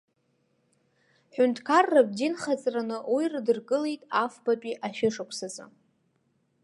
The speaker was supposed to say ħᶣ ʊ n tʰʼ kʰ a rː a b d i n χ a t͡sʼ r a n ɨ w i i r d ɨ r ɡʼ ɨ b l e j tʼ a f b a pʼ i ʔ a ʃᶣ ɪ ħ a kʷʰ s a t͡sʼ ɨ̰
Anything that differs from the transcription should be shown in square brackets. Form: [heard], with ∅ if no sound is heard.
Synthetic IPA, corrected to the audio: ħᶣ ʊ n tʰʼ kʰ a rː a b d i n χ a t͡sʼ r a n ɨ w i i r d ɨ r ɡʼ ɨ [∅] l e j tʼ a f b a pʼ i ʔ a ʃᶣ ɪ [ʂ] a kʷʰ s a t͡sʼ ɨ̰